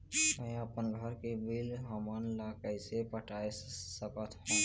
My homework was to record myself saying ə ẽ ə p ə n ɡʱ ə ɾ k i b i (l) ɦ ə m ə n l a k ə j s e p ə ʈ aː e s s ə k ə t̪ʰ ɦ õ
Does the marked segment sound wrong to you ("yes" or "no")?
no